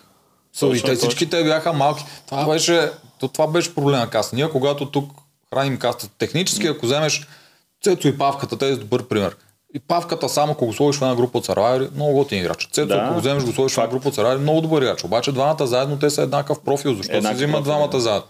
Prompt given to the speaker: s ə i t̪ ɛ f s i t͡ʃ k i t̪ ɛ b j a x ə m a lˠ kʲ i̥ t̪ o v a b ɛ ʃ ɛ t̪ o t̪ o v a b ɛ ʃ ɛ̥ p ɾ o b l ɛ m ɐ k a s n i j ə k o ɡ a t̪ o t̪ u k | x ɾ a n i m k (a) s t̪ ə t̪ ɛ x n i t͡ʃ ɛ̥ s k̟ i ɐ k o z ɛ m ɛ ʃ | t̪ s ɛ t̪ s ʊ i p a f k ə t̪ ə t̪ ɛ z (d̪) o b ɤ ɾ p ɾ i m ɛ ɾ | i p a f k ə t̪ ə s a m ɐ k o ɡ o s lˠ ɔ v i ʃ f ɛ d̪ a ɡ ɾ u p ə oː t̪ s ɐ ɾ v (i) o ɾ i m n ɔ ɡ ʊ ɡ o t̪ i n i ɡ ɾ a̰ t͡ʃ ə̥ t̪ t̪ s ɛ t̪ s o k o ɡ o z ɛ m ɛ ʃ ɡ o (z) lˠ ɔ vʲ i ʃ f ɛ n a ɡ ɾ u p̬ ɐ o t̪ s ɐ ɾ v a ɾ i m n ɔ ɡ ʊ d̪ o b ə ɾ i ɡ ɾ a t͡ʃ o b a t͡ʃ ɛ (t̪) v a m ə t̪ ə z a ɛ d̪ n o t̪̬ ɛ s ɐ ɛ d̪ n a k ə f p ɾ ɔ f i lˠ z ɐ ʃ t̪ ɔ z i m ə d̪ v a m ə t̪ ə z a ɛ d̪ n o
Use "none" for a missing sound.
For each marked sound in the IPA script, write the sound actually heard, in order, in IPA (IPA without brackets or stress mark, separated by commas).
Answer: a, d̪, a, s, d̪